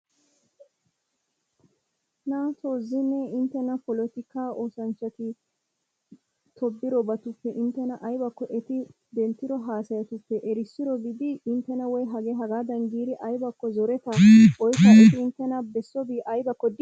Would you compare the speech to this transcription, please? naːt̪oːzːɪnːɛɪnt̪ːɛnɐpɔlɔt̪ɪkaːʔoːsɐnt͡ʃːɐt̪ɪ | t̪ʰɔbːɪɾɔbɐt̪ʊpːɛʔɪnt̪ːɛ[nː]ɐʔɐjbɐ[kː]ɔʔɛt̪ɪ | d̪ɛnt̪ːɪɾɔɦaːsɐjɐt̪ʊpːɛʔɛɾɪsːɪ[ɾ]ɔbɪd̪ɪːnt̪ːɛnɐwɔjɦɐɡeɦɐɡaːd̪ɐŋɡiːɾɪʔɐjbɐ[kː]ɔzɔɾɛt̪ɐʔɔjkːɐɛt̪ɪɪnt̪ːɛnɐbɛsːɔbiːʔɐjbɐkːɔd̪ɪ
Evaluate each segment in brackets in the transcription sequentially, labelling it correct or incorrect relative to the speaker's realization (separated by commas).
incorrect, correct, correct, correct